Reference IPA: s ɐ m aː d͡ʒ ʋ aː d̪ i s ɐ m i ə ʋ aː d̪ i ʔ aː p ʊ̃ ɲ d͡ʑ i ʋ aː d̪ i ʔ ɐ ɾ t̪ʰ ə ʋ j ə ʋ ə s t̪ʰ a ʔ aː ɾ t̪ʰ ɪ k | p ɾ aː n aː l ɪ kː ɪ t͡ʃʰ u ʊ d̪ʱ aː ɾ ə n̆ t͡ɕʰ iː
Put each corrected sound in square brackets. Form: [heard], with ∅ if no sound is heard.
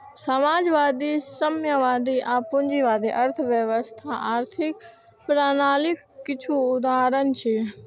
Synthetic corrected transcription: s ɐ m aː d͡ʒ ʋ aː d̪ i s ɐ m [j] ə ʋ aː d̪ i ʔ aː p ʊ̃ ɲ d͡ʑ i ʋ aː d̪ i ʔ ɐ ɾ t̪ʰ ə ʋ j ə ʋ ə s t̪ʰ a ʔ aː ɾ t̪ʰ ɪ k | p ɾ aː n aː l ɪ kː ɪ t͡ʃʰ u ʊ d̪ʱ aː ɾ ə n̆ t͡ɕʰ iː